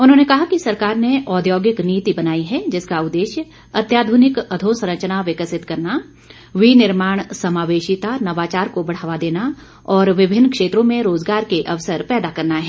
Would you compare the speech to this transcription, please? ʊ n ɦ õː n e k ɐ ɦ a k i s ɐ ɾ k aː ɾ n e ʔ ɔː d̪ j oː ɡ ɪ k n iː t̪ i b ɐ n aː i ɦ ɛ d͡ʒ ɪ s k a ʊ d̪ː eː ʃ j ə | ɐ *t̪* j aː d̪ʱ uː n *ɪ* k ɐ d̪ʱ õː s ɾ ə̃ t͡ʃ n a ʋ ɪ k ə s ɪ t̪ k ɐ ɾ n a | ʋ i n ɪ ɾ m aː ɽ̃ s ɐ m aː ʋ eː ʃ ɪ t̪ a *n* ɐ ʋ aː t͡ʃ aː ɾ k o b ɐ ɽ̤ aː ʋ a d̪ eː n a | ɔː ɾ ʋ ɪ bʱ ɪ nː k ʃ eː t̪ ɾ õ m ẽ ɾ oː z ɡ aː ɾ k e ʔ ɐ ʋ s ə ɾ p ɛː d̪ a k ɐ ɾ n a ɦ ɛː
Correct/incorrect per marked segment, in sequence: correct, correct, correct

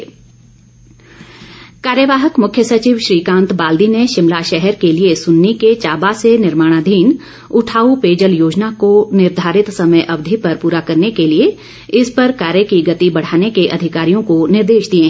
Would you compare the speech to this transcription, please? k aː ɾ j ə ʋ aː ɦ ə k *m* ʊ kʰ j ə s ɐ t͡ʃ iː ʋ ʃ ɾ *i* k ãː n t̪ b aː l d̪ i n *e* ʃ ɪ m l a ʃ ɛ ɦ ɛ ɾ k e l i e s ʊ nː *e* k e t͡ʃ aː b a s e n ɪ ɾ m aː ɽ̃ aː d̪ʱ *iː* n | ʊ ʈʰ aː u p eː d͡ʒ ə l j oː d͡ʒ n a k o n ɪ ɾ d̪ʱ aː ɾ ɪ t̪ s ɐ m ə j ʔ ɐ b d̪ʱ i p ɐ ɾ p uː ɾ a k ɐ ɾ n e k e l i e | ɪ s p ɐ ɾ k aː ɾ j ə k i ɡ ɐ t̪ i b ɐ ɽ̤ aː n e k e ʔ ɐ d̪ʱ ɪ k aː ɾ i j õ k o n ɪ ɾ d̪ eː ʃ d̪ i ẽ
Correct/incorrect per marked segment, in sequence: correct, incorrect: iː, correct, incorrect: i, correct

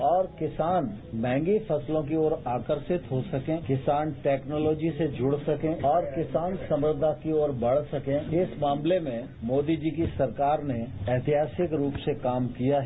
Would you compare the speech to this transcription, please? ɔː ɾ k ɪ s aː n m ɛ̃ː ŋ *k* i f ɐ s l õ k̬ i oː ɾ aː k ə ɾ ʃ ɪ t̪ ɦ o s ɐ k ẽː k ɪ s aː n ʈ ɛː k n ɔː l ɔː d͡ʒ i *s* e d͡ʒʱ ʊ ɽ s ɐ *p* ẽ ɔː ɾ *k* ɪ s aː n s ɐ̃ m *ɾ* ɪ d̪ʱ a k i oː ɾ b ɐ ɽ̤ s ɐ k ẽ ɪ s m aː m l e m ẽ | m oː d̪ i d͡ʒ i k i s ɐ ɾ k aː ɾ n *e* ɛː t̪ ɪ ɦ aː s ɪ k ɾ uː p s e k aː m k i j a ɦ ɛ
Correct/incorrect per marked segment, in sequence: incorrect: ɡ, correct, incorrect: k, correct, correct, correct

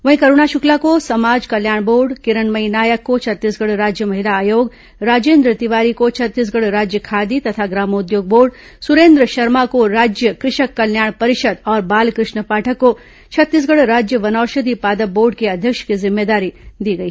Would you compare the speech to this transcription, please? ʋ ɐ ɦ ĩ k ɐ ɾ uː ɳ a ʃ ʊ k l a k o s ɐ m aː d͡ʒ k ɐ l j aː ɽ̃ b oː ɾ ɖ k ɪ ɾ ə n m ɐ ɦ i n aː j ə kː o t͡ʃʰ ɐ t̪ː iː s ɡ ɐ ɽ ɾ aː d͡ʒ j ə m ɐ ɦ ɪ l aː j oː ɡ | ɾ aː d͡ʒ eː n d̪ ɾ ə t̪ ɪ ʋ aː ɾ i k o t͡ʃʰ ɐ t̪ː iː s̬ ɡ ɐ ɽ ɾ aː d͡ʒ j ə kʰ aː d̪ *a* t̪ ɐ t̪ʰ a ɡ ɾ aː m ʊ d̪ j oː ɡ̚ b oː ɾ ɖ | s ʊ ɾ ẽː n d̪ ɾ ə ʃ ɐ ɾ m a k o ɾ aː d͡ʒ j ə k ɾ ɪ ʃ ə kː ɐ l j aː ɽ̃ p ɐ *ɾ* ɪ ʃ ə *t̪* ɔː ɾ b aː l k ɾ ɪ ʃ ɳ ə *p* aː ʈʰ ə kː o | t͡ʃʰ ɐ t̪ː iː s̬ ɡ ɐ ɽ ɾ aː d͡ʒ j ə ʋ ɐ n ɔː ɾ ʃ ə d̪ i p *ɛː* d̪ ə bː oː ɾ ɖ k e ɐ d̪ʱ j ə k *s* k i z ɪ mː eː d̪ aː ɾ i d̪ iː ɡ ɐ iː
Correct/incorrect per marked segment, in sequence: incorrect: i, correct, incorrect: d̪, correct, incorrect: aː, incorrect: ʃ

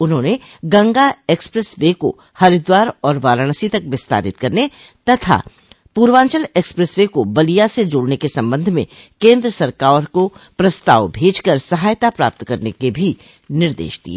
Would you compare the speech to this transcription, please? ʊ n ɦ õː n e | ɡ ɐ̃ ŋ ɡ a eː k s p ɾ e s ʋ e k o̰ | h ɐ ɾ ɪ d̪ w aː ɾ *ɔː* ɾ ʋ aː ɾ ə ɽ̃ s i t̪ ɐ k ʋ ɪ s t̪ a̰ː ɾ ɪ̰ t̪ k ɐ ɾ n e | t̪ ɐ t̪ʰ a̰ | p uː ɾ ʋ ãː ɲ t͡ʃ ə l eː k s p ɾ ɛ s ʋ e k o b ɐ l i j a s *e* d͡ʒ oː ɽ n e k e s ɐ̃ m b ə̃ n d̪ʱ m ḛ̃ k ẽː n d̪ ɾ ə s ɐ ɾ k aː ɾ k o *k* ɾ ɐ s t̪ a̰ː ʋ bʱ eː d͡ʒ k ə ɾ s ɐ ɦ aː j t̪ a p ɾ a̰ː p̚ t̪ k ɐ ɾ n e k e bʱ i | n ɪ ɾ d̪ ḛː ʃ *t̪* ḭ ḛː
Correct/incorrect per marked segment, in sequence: correct, correct, incorrect: p, incorrect: d̪

